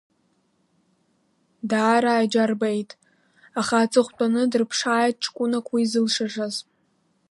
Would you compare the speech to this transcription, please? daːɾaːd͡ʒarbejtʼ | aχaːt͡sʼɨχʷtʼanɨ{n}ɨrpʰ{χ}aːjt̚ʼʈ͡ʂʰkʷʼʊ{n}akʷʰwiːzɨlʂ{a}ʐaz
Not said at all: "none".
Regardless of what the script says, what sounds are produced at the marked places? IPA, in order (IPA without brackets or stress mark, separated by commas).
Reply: d, ʂ, n, a